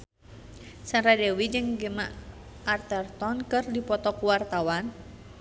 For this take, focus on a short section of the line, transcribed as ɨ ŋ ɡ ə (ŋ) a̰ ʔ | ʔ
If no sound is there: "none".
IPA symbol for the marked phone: m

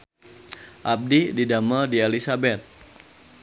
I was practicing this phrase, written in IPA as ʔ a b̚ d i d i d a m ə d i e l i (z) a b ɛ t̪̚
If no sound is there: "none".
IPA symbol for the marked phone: s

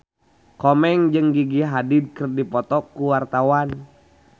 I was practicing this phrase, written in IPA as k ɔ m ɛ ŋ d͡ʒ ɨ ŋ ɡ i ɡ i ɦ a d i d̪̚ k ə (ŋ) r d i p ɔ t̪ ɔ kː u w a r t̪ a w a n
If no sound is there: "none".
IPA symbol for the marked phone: none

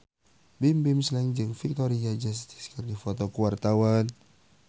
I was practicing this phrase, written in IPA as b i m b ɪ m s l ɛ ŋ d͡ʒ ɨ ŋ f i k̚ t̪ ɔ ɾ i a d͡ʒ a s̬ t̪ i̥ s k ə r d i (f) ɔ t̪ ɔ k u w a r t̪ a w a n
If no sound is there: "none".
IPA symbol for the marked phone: f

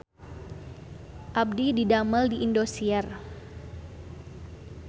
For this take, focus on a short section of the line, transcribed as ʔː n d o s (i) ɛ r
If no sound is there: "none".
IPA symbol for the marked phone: i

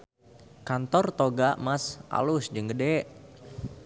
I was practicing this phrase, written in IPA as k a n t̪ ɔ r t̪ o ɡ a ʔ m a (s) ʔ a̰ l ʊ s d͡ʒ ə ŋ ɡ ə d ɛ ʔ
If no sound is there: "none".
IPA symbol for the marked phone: s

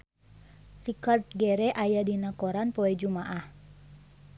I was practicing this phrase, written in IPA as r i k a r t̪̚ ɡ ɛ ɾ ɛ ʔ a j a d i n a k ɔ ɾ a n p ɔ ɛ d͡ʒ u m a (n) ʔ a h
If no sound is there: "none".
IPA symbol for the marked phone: none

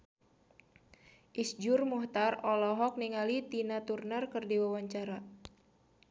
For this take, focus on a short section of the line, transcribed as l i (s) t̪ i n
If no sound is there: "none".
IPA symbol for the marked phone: none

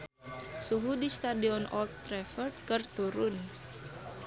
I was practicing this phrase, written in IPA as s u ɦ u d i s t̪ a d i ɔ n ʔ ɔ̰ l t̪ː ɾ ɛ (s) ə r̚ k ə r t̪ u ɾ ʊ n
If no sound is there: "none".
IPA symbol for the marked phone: f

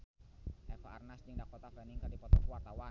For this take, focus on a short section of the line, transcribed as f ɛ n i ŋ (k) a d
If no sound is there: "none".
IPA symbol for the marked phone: k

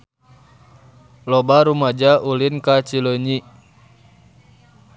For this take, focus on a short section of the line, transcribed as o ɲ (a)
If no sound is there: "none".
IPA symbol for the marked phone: i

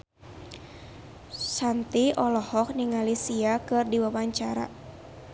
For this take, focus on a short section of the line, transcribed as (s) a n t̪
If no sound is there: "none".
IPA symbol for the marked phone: s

